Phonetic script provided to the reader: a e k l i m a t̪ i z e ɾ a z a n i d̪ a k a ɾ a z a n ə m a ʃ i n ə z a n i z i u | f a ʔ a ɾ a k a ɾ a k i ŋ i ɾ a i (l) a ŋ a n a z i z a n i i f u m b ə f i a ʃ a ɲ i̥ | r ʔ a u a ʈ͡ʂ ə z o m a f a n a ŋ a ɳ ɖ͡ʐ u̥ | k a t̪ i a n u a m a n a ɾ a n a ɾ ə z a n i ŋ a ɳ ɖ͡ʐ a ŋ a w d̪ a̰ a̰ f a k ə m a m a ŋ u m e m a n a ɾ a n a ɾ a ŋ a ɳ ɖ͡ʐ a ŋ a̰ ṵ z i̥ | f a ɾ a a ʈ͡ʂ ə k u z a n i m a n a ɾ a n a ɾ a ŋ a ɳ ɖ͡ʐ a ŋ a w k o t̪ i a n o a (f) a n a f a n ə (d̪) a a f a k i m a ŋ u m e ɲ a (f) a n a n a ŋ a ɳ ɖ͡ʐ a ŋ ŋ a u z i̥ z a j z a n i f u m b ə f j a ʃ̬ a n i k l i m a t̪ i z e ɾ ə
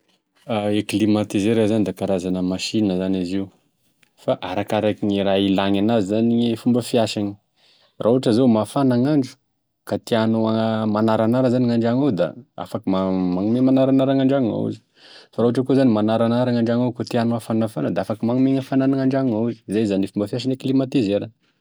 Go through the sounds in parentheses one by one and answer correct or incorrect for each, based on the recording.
correct, correct, correct, correct

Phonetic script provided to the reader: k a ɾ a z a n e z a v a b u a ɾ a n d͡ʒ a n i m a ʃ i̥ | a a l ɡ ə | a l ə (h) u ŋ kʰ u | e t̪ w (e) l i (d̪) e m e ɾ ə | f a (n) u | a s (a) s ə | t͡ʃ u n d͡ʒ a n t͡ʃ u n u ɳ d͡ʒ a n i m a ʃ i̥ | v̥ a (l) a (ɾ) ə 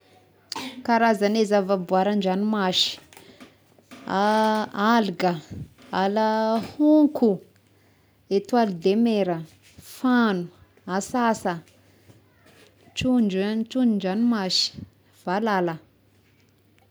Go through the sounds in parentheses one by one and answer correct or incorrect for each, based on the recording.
correct, incorrect, correct, correct, correct, correct, incorrect

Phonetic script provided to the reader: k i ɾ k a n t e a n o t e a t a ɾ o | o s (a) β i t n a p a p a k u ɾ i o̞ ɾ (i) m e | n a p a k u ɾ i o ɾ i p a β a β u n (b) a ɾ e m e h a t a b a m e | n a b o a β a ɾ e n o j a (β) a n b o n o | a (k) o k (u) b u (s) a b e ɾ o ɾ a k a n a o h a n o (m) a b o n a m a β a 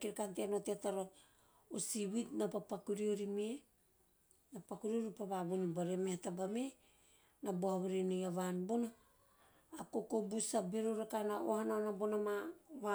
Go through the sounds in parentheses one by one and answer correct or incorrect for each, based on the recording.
incorrect, correct, correct, correct, correct, incorrect, correct, incorrect

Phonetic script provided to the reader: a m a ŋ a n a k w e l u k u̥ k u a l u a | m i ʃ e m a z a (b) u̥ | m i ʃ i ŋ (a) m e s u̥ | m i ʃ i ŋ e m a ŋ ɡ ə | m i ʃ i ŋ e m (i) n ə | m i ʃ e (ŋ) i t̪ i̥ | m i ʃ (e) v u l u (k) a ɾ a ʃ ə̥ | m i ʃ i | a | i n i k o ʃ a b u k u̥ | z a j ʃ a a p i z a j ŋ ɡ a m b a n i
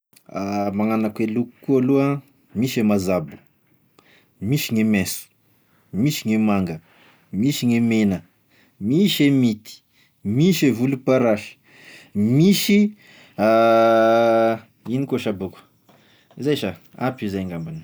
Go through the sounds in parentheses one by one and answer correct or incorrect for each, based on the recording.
correct, incorrect, incorrect, incorrect, correct, incorrect

